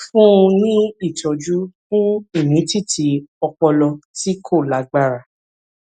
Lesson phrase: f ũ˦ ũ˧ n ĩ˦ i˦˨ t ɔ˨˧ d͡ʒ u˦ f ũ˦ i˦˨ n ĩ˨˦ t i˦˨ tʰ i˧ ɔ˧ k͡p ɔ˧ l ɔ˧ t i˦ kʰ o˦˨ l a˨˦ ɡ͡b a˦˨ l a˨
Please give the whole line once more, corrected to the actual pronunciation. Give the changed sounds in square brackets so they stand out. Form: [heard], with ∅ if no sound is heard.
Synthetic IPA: f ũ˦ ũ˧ n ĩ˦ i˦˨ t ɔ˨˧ d͡ʒ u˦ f ũ˦ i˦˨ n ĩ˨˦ t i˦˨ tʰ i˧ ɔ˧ k͡p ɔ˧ l ɔ˧ t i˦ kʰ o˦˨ l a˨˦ ɡ͡b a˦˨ [ɾ] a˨